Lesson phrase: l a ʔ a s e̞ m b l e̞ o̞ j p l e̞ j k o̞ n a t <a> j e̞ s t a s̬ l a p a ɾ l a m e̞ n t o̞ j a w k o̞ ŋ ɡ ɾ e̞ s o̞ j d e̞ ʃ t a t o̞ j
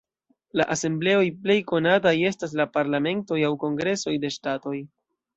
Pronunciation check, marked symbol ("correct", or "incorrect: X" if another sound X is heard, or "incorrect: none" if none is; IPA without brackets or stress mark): correct